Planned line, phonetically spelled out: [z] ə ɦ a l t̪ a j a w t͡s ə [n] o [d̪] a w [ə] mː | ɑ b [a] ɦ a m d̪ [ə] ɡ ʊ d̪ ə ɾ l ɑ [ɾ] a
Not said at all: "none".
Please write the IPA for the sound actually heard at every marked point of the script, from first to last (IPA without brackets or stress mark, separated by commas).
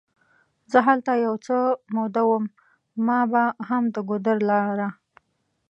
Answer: z, m, d̪, ə, a, ə, ɾ